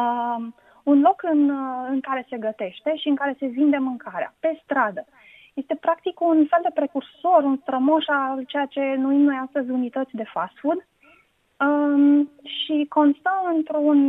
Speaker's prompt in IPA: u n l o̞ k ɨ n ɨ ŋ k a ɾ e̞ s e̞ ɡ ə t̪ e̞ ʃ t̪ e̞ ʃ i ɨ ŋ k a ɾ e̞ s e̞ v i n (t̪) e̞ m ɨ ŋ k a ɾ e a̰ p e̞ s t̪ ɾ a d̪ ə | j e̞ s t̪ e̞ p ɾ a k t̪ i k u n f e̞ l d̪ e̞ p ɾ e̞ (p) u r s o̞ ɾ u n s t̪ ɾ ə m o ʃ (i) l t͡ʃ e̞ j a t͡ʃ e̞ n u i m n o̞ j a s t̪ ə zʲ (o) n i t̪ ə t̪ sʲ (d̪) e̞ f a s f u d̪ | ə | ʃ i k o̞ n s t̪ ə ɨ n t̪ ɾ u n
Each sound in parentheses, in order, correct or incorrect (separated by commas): incorrect, incorrect, incorrect, incorrect, correct